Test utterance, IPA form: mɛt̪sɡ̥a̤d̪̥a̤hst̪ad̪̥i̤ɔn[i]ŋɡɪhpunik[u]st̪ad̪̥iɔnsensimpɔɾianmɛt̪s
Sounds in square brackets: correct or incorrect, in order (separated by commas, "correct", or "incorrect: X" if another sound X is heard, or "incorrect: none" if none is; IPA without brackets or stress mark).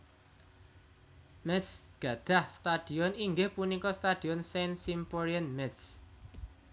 correct, incorrect: ɔ